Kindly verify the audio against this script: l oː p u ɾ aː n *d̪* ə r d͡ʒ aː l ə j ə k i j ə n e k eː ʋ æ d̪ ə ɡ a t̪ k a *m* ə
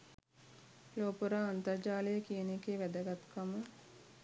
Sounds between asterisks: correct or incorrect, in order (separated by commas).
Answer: incorrect, correct